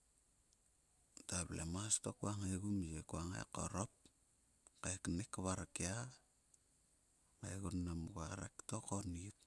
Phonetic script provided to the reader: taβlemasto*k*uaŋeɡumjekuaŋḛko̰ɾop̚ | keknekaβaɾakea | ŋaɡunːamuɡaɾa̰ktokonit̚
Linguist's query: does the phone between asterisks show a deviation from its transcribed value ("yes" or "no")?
no